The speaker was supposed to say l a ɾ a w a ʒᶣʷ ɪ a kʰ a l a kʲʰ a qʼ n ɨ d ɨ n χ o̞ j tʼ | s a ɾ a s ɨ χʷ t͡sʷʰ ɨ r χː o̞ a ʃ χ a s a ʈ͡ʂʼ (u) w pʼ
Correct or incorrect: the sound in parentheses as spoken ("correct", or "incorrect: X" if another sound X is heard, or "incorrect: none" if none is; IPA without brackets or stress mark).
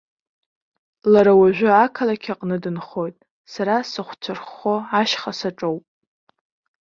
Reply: incorrect: o